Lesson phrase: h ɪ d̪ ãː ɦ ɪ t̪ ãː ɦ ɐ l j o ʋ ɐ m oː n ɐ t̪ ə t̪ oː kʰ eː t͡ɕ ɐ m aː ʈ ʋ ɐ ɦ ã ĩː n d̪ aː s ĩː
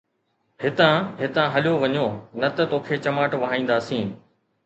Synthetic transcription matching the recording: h ɪ t̪ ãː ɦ ɪ t̪ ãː ɦ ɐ l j o ʋ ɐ ɲ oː n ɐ t̪ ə t̪ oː kʰ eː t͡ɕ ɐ m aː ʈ ʋ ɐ ɦ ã ĩː n d̪ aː s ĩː